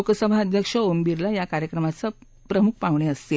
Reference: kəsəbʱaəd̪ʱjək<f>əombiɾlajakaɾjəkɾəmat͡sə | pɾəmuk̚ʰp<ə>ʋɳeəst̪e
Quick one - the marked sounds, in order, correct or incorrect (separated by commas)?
incorrect, incorrect